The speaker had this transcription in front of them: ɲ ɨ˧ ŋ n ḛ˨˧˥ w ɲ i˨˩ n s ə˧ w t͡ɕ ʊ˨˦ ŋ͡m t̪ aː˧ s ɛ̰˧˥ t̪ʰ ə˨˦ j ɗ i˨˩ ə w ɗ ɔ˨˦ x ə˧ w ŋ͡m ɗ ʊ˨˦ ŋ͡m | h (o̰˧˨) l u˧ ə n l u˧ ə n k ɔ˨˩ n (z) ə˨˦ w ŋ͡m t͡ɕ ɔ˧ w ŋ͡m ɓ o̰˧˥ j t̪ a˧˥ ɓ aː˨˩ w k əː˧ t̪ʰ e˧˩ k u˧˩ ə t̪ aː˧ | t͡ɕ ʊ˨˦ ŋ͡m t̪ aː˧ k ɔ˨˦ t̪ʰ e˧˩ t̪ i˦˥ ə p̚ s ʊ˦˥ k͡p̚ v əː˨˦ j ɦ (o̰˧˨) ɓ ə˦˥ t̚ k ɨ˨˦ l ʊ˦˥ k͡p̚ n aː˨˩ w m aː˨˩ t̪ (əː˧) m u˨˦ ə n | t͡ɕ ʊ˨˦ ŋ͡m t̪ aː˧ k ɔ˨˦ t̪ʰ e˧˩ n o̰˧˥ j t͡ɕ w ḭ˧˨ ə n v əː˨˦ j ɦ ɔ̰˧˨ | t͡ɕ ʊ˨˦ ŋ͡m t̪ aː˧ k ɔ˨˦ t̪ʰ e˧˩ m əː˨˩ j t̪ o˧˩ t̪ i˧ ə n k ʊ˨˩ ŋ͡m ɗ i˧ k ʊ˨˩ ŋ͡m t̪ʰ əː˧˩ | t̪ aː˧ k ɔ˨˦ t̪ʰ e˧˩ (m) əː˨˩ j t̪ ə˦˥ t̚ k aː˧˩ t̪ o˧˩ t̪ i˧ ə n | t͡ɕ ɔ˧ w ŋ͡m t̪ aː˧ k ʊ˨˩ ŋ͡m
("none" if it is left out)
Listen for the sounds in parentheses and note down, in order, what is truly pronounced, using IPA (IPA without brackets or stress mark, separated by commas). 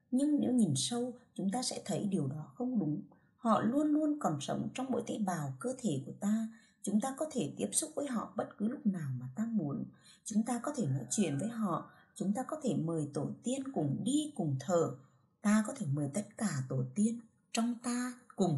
ɔ̰˧˨, s, ɔ̰˧˨, aː˧, m